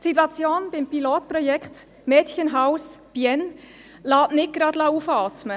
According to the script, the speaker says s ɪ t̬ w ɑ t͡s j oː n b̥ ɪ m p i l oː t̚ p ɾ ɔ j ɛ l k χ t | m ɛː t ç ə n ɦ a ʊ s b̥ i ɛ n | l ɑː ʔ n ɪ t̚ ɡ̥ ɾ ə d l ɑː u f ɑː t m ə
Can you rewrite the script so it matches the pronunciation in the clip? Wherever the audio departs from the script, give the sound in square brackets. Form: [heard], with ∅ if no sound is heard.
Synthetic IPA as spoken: s [i] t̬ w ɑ t͡s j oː n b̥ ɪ m p i l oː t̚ p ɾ ɔ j ɛ [∅] k χ t | m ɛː t ç ə n ɦ a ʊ s b̥ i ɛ n | l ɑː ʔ n ɪ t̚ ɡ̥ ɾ [ɑ] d l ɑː u f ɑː t m ə